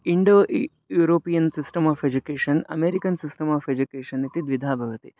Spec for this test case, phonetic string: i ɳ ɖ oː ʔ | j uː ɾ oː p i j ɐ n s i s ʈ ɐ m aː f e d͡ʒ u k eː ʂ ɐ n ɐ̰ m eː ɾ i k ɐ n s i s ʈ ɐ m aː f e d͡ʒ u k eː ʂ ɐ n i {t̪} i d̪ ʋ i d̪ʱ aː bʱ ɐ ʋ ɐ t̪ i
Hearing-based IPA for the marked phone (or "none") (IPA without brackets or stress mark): t̪